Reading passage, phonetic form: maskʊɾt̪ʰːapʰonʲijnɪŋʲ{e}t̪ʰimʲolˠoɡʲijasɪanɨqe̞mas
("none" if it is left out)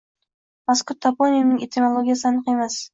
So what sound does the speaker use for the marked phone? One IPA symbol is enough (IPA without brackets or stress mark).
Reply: e